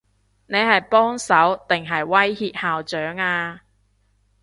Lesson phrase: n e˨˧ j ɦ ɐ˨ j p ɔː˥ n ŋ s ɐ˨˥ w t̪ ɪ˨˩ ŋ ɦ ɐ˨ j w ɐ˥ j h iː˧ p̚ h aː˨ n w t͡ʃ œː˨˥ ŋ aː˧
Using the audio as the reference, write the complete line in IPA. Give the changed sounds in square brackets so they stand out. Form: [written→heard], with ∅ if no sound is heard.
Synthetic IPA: n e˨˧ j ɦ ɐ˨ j p ɔː˥ [n→∅] ŋ s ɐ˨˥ w t̪ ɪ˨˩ ŋ ɦ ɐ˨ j w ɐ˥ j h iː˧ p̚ h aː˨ [n→∅] w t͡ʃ œː˨˥ ŋ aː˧

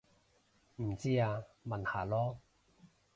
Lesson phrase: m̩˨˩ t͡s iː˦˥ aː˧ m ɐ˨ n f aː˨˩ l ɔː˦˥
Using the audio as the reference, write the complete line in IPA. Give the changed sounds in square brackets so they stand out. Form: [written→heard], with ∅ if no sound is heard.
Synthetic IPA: m̩˨˩ t͡s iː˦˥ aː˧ m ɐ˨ n [f→h] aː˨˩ l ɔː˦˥

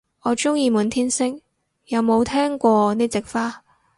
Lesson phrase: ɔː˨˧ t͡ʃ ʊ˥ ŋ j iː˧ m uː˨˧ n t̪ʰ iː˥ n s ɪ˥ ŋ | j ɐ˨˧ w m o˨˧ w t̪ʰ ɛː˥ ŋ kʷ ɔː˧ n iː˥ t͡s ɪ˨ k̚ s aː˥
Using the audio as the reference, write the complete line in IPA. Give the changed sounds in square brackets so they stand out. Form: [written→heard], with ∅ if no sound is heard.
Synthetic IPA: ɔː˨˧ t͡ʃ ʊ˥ ŋ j iː˧ m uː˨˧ n t̪ʰ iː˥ n s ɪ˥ ŋ | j ɐ˨˧ w m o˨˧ w t̪ʰ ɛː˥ ŋ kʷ ɔː˧ n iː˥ t͡s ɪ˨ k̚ [s→f] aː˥

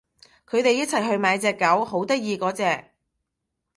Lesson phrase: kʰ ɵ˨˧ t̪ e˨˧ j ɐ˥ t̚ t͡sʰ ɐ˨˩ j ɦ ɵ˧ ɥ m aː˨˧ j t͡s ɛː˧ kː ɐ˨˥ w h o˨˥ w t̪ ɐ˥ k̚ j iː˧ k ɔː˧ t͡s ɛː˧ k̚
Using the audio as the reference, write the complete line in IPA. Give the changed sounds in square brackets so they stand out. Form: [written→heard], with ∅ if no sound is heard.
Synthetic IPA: kʰ ɵ˨˧ t̪ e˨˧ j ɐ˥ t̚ t͡sʰ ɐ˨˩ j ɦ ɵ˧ ɥ m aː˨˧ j t͡s ɛː˧ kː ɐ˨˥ w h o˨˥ w t̪ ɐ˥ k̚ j iː˧ k [ɔː˧→ɔː˨˥] t͡s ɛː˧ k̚

